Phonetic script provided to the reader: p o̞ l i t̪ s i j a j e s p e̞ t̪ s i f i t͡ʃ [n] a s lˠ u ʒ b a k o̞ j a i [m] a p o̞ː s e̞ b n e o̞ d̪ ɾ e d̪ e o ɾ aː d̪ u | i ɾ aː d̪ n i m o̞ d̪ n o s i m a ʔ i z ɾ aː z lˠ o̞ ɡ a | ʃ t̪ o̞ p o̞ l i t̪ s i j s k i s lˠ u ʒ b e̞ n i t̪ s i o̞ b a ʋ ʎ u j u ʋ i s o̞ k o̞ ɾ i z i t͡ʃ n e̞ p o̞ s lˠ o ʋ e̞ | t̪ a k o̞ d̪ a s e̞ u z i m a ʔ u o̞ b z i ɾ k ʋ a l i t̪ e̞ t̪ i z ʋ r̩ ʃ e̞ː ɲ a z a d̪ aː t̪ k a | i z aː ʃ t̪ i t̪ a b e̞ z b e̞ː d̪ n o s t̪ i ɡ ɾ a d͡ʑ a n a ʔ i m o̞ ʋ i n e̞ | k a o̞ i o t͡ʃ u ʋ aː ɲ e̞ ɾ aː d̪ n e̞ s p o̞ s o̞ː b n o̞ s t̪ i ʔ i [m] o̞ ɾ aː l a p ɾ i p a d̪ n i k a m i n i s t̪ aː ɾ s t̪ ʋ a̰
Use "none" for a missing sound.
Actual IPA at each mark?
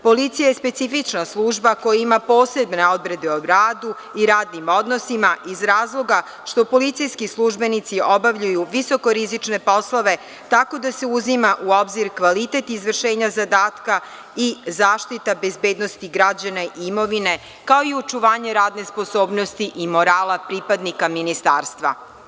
n, m, m

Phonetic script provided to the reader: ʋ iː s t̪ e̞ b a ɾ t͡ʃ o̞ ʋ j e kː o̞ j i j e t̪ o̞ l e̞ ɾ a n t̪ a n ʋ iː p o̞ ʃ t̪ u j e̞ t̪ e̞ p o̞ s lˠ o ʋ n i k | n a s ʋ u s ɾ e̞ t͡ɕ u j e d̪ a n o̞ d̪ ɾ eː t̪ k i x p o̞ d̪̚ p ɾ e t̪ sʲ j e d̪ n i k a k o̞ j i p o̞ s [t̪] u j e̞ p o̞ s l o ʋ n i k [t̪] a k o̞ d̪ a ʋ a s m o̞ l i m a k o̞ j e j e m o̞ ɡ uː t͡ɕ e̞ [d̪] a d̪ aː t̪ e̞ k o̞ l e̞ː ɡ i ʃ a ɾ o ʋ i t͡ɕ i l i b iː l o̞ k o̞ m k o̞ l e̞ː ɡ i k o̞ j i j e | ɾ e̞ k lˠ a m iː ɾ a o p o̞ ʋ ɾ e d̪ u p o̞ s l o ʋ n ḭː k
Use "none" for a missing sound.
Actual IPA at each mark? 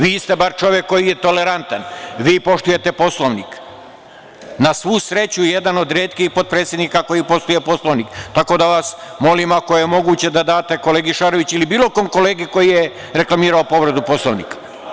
t̪, t̪, d̪

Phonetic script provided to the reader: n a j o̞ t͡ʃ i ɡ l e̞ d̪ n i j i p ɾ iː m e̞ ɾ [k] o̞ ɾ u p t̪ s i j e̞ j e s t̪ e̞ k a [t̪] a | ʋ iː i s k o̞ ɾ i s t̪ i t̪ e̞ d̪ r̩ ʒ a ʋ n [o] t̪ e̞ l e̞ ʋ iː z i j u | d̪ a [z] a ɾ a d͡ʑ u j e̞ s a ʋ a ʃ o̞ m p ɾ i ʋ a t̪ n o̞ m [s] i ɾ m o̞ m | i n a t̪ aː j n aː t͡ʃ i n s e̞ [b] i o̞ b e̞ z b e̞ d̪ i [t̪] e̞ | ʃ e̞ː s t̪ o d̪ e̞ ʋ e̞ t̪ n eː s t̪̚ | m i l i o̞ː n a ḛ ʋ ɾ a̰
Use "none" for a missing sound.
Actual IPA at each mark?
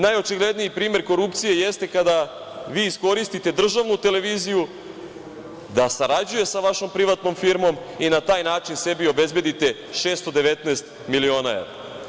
k, d̪, u, s, f, b, t̪

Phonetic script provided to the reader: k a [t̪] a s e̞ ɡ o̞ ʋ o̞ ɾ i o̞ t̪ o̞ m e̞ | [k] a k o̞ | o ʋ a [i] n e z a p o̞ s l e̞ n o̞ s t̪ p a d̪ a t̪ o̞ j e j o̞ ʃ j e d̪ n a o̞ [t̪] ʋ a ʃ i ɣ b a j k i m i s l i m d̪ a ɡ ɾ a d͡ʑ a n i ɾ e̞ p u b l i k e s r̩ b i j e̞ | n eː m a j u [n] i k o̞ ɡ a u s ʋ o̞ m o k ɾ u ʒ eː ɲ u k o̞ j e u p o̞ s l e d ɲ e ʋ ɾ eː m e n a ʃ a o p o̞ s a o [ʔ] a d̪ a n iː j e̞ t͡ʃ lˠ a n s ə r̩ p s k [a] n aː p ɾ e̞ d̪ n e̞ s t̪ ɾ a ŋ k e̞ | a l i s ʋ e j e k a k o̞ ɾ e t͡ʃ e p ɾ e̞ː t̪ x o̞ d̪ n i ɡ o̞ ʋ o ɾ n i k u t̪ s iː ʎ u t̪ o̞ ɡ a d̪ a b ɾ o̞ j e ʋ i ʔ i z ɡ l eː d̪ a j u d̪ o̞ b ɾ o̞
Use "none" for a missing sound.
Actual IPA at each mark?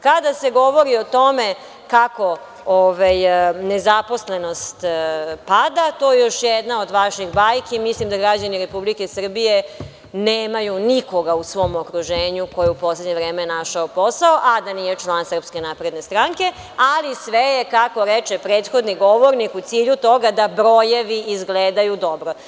d̪, k, j, d̪, n, ʔ, e

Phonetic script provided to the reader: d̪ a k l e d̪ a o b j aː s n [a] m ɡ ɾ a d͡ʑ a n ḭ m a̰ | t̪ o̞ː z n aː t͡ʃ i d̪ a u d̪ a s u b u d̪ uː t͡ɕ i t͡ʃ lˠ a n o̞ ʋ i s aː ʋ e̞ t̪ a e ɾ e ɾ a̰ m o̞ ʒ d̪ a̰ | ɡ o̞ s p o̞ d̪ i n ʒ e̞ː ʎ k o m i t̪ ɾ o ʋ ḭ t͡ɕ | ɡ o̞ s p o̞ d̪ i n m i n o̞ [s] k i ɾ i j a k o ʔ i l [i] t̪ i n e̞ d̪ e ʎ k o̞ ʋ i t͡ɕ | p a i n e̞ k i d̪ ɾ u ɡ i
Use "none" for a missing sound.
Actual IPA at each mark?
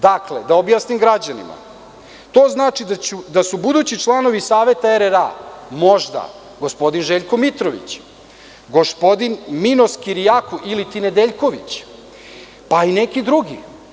i, s, i

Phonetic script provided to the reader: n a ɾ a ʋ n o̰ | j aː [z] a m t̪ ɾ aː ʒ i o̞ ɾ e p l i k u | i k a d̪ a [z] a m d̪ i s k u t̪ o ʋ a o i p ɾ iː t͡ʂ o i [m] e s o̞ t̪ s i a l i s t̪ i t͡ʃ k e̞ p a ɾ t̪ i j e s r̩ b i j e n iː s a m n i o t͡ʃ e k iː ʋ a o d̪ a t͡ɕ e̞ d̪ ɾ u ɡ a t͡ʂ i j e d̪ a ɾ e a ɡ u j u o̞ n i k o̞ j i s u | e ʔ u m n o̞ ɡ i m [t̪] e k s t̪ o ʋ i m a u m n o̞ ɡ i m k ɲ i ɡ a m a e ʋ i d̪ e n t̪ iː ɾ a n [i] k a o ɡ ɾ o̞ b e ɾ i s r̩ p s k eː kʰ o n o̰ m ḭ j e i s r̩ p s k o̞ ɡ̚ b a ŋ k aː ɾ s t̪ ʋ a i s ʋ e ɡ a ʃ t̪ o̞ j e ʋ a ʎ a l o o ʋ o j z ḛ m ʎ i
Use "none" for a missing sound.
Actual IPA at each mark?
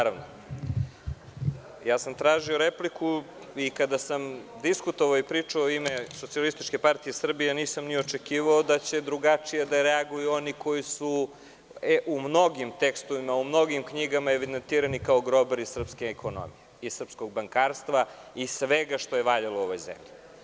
s, s, m, t̪, i

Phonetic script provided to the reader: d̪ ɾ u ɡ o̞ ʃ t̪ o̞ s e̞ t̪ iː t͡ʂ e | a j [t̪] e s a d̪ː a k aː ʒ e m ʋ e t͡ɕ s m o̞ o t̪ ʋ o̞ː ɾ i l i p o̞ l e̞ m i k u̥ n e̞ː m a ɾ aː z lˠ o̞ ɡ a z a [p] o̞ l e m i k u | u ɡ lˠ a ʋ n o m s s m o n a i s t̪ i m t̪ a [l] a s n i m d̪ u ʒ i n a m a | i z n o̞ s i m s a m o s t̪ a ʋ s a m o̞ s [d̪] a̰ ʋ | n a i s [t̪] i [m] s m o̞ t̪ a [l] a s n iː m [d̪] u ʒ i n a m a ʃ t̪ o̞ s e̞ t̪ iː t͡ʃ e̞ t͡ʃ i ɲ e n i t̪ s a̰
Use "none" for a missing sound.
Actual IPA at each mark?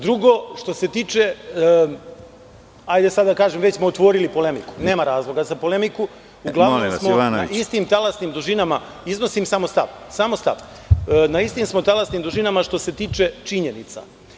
d̪, p, l, t̪, t̪, m, l, d̪

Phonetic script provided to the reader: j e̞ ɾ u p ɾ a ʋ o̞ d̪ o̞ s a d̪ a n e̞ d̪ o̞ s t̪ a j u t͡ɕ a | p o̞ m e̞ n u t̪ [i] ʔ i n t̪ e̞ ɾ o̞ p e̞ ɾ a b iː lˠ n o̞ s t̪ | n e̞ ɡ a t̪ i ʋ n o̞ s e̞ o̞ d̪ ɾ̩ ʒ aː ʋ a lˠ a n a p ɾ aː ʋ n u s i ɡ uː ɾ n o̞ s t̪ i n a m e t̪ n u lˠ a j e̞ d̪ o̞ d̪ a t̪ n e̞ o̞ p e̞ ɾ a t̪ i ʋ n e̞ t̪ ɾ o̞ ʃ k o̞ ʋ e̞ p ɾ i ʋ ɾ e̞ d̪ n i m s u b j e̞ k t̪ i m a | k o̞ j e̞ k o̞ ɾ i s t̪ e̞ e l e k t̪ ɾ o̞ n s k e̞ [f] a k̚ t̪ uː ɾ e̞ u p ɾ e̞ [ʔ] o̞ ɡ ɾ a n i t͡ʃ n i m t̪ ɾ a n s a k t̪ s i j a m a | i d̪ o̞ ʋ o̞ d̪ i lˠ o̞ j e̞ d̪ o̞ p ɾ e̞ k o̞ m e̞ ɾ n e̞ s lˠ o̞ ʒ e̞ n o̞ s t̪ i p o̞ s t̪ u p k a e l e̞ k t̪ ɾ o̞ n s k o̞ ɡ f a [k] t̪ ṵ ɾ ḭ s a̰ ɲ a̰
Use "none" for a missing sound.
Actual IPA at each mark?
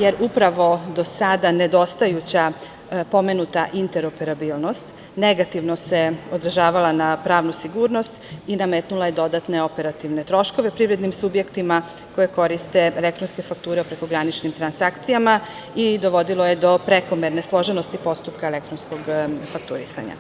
a, f, k, k

